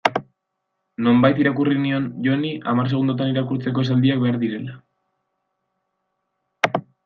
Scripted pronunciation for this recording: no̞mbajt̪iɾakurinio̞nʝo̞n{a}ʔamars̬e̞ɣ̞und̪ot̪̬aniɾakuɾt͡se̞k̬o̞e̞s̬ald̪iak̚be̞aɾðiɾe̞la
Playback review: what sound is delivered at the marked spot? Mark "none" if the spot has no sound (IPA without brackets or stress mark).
i